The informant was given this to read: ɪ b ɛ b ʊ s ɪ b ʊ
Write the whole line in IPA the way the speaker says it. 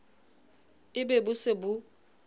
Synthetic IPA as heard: ɪ b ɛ b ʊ s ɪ b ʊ